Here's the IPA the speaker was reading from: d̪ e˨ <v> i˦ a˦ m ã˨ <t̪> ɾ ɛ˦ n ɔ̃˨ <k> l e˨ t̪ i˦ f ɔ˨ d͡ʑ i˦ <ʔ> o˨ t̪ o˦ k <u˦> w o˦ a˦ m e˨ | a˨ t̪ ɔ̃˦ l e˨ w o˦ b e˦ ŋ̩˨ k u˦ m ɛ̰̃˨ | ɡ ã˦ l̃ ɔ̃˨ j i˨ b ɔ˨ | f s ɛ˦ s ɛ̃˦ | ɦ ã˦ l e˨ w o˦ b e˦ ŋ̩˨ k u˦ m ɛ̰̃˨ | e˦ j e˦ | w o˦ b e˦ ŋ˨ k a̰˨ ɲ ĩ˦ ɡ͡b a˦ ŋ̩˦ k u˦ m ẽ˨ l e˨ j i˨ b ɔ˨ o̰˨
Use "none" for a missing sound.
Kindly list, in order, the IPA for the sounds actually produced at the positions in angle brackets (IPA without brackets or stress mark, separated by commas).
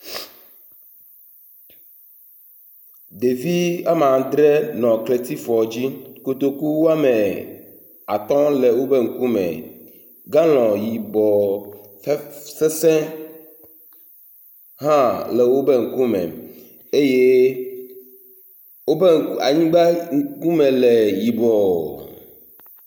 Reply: v, d̪, k, k, u˦